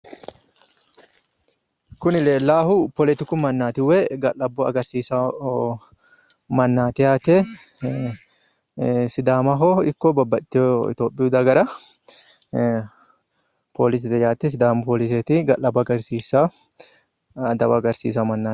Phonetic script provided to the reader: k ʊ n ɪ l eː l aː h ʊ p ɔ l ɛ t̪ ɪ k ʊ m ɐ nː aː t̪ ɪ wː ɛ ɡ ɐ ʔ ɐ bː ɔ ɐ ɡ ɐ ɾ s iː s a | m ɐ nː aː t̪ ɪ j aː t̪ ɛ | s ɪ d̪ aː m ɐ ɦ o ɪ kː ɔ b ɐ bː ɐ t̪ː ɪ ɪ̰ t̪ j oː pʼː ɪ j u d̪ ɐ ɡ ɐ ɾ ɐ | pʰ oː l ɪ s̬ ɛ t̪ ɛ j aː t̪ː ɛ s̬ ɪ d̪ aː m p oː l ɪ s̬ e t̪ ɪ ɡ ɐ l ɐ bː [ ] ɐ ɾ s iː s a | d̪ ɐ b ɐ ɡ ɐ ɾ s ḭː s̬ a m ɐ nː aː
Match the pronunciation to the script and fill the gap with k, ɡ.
ɡ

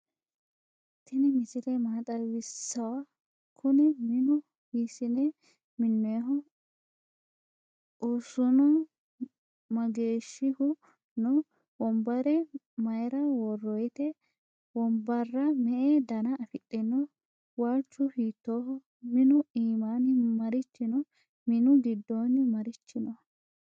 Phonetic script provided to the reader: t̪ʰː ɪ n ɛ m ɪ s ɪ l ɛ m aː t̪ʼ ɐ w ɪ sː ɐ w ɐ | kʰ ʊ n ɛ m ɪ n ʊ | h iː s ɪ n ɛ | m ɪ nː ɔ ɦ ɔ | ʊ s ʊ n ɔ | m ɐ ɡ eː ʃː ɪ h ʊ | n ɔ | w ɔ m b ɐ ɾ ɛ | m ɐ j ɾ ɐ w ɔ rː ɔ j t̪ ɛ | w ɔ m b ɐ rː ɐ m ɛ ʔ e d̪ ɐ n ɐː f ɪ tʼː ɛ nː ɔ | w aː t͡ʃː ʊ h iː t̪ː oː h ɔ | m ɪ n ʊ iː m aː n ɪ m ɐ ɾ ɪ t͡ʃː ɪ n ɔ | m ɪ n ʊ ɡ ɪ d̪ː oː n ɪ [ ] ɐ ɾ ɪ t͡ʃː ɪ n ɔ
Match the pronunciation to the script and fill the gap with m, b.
m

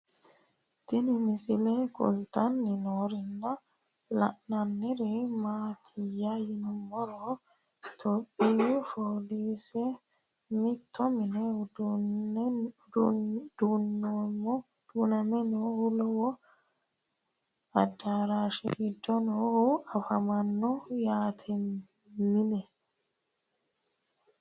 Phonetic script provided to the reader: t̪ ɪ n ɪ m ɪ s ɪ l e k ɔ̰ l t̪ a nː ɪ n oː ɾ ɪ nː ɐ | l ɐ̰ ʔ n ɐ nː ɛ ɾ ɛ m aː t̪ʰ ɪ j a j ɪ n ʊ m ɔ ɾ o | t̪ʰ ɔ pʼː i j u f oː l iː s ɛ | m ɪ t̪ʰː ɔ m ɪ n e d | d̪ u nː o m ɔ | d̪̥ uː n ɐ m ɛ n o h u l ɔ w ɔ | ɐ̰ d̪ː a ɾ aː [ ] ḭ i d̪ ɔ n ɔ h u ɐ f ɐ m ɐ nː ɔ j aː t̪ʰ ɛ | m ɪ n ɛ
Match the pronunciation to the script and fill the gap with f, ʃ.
ʃ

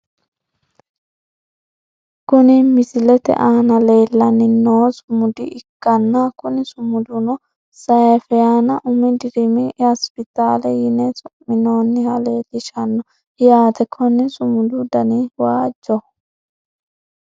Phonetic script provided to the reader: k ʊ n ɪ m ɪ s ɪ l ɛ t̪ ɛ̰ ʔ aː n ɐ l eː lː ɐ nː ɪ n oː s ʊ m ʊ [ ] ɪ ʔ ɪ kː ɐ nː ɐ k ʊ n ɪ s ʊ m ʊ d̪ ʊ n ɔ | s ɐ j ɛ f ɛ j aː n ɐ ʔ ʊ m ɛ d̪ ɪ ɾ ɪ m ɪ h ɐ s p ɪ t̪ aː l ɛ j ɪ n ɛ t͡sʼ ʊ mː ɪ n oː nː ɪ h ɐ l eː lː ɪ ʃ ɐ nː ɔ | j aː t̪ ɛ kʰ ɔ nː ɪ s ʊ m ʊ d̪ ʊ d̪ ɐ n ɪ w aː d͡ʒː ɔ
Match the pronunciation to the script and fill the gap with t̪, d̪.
d̪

